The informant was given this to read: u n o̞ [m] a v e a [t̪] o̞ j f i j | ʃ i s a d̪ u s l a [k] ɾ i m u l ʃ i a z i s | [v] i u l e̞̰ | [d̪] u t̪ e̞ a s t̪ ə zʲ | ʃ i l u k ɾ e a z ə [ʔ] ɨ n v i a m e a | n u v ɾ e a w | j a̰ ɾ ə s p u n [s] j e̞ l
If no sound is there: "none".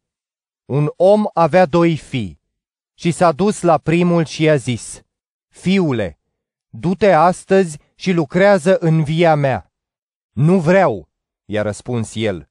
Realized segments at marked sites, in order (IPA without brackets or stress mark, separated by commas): m, d̪, p, f, d̪, ʔ, s